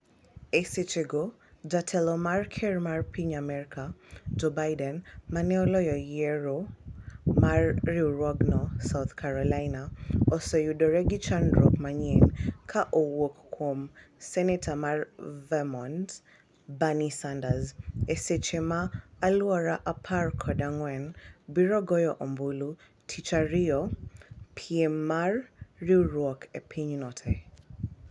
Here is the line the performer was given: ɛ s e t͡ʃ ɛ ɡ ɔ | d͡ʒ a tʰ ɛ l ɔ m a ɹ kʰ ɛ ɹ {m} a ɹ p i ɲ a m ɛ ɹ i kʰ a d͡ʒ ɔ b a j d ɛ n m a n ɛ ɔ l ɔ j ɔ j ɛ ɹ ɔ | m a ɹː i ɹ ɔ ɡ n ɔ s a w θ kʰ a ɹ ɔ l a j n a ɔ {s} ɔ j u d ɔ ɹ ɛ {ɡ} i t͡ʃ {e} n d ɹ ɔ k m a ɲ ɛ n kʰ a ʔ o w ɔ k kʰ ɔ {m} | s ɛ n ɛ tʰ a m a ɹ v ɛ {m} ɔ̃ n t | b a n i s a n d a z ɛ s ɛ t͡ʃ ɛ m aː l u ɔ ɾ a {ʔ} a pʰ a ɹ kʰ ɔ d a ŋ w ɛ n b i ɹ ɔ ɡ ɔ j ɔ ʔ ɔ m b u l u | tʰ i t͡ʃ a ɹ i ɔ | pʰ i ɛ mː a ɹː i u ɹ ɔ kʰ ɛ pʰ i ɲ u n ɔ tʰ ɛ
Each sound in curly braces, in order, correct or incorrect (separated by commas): correct, correct, correct, incorrect, correct, correct, correct